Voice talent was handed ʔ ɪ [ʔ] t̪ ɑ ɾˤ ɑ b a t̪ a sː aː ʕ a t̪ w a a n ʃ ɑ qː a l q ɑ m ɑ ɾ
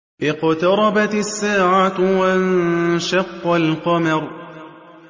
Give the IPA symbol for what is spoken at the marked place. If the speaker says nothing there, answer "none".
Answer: q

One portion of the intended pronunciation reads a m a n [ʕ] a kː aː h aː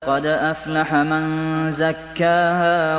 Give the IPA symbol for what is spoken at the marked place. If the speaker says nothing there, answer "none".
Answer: z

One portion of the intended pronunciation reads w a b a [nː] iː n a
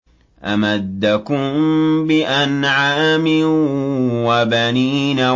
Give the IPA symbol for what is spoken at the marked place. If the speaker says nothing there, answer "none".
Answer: n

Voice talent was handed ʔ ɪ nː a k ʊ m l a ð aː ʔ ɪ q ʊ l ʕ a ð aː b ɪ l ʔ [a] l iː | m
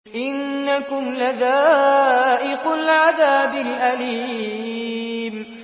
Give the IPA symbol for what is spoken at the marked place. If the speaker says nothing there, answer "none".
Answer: a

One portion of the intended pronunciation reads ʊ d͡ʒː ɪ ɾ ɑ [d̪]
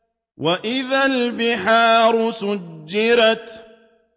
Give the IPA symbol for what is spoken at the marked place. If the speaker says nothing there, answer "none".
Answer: t̪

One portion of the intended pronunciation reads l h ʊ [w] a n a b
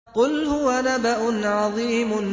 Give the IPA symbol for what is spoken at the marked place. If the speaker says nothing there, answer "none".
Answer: w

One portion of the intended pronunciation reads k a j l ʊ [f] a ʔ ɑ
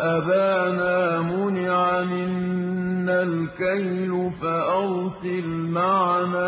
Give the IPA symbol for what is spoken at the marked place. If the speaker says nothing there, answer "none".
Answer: f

